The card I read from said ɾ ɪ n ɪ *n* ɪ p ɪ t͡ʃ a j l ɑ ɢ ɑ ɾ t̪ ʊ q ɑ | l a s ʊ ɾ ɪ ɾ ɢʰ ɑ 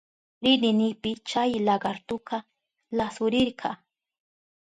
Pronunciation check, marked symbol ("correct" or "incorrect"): correct